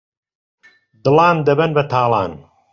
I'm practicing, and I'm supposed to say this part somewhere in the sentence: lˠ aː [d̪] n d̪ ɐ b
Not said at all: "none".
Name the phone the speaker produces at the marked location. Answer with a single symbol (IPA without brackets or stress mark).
none